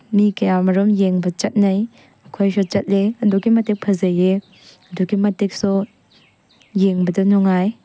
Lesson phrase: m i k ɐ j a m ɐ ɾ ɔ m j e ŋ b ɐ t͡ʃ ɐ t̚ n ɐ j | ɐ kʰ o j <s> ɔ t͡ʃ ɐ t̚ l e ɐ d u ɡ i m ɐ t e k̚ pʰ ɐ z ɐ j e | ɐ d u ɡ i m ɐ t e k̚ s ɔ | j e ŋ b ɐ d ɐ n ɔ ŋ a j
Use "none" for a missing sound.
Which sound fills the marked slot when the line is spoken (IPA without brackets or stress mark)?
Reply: s